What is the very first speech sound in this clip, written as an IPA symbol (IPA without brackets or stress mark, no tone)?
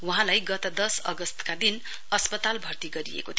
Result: w